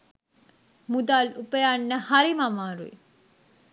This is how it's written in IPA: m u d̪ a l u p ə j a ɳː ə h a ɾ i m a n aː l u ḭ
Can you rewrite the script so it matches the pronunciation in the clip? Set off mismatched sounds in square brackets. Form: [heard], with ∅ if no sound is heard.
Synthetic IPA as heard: m u d̪ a l u p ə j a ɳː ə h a ɾ i m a [m] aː [ɾ] u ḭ